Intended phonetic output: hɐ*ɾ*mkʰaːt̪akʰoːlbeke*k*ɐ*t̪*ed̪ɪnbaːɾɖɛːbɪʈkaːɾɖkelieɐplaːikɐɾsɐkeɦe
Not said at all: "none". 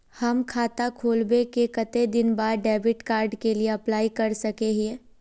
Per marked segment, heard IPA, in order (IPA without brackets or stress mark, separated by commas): none, k, t̪